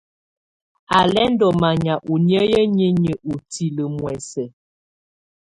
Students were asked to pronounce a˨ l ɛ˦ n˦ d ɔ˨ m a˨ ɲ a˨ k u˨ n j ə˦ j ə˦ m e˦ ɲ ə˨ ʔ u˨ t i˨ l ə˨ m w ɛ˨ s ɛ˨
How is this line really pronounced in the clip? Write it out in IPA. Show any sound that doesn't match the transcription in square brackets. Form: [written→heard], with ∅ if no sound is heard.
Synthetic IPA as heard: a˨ l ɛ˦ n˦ d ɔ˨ m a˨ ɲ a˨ [k→ʔ] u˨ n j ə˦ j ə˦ [m→ɲ] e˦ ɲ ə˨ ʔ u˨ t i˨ l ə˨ m w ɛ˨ s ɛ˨

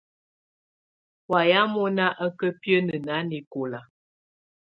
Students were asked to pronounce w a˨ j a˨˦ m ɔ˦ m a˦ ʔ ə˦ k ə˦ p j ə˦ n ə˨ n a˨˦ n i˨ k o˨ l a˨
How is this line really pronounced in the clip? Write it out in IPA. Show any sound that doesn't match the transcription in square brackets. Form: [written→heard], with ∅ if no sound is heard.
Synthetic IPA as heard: w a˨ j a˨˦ m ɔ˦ [m→n] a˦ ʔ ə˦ k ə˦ p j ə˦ n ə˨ n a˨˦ n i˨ k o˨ l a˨

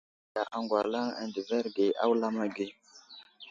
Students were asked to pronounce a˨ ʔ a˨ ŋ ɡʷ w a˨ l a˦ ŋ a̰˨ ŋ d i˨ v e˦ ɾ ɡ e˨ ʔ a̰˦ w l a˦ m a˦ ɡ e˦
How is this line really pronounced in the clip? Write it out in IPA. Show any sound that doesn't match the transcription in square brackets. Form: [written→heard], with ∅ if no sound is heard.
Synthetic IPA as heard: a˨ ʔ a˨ ŋ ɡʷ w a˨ l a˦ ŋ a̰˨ [ŋ→n] d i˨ v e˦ ɾ ɡ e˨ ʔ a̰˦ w l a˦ m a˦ ɡ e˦

